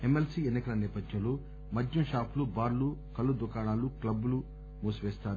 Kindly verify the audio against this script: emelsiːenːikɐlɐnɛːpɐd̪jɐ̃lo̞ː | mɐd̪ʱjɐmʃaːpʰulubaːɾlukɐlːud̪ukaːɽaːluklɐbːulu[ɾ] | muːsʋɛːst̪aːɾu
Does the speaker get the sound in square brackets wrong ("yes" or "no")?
yes